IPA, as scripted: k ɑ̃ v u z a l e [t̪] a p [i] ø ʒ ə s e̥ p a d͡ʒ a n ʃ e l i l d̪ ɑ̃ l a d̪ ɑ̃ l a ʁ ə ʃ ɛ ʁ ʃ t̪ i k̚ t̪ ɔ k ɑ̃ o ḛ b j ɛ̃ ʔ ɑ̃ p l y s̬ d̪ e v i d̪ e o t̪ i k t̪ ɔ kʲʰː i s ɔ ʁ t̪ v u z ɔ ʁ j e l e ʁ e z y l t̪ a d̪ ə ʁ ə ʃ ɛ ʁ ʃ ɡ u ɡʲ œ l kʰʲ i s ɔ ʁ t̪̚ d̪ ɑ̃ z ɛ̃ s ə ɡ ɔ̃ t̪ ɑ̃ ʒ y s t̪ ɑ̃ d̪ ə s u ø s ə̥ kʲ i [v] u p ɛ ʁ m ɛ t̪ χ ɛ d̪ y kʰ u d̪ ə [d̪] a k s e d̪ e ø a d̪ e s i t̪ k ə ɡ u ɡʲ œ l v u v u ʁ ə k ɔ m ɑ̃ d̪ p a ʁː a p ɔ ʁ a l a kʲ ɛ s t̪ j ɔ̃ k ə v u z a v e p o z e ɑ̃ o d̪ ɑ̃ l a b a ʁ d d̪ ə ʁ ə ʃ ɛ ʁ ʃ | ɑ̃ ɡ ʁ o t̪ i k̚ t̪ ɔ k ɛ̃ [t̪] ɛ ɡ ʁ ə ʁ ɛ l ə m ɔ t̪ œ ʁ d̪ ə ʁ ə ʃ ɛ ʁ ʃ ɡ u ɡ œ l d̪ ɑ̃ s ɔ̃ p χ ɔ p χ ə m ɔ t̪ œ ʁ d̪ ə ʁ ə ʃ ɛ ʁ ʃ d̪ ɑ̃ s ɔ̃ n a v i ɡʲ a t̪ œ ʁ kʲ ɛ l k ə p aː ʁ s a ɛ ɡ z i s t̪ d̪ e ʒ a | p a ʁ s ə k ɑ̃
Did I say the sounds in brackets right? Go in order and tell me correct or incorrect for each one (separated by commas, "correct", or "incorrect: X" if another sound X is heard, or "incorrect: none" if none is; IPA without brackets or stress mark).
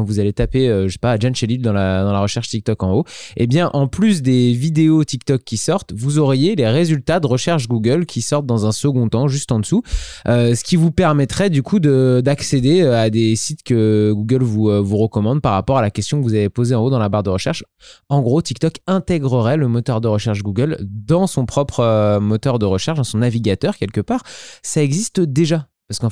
correct, incorrect: e, correct, correct, correct